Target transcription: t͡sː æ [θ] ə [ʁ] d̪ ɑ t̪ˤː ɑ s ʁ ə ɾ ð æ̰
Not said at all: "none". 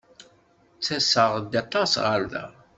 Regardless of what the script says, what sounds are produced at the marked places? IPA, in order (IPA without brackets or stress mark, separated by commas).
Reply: s, ʁ